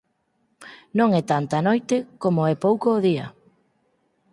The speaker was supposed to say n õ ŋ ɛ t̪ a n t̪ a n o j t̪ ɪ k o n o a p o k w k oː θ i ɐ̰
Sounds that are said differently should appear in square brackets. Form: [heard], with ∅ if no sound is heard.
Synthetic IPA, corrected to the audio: n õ ŋ ɛ t̪ a n t̪ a n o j t̪ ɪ k o [m] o [ɛ] p o [∅] w k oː [ð] i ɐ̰